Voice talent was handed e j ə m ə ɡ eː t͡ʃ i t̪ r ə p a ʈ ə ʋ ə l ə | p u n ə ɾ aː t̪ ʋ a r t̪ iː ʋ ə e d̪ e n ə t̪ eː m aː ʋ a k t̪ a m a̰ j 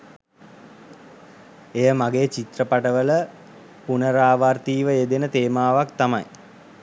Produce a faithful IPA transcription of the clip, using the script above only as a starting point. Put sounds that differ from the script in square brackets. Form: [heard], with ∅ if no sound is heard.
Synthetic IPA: e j ə m [a] ɡ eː t͡ʃ i t̪ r ə p a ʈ ə ʋ ə l ə | p u n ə ɾ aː [∅] ʋ a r t̪ iː ʋ ə e d̪ e n ə t̪ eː m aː ʋ a k t̪ a m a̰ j